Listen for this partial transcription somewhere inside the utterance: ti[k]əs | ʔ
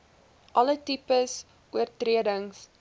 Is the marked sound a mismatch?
yes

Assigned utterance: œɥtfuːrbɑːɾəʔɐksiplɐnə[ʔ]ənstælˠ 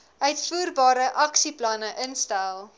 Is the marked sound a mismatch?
no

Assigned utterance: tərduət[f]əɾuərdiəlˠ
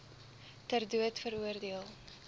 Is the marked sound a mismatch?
no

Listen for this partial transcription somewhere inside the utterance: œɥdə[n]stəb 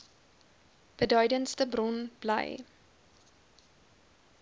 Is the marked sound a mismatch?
no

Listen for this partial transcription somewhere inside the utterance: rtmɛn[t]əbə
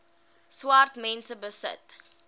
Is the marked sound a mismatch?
yes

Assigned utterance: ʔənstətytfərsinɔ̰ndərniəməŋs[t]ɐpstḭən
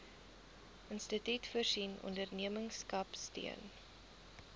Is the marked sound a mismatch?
yes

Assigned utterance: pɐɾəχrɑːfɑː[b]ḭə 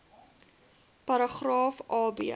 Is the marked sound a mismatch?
no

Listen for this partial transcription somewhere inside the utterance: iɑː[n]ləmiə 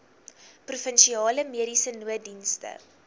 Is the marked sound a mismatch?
yes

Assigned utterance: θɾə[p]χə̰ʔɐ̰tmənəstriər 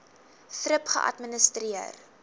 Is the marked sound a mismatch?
no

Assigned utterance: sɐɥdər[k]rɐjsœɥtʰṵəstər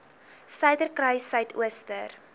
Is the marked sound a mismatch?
no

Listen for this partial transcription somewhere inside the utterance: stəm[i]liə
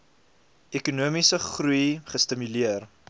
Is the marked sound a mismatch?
yes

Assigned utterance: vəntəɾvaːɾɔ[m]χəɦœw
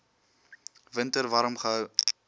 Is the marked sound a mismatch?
no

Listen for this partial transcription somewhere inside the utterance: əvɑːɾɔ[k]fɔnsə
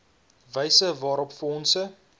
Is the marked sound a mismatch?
yes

